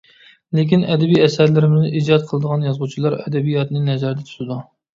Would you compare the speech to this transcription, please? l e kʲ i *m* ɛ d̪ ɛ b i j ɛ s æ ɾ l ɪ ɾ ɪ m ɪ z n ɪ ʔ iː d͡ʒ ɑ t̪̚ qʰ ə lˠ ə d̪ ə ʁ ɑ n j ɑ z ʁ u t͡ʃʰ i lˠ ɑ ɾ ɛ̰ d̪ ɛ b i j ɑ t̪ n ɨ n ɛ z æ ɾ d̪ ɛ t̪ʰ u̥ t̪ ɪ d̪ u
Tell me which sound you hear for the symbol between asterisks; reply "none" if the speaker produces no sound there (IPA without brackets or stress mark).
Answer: n